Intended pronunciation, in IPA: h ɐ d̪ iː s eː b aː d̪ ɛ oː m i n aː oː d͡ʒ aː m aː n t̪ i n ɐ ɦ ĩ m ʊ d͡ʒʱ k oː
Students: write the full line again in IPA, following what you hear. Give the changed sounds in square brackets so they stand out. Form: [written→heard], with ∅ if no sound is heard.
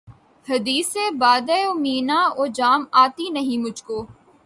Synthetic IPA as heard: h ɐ d̪ iː s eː b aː d̪ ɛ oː m [i→iː] n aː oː d͡ʒ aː m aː [n→∅] t̪ i n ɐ ɦ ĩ m ʊ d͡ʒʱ k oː